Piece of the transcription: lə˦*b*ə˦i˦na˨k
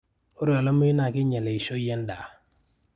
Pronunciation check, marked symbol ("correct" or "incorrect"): incorrect